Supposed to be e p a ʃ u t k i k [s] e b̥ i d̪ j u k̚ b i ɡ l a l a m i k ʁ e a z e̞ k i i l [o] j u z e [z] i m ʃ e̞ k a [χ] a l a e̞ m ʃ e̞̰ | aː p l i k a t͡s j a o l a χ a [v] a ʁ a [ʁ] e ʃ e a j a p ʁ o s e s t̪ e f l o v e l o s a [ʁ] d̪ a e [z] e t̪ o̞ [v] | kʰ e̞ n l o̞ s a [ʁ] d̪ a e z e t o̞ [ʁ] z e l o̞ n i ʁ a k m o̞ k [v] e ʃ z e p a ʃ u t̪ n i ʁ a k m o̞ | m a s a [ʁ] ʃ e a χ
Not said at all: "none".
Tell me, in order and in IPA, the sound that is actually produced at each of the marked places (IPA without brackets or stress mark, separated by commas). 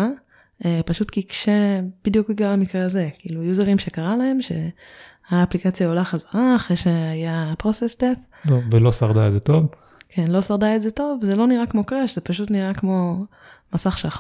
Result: ʃ, u, ʁ, ʁ, z, χ, ʁ, z, v, ʁ, v, ʁ, χ